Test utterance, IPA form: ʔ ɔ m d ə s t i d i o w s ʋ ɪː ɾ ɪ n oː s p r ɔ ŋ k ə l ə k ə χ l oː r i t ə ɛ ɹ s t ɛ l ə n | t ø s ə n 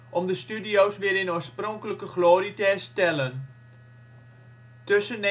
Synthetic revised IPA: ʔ ɔ m d ə s t y d i o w s ʋ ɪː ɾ ɪ n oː s p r ɔ ŋ k ə l ə k ə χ l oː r i t ə ɛ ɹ s t ɛ l ə n | t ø s ə n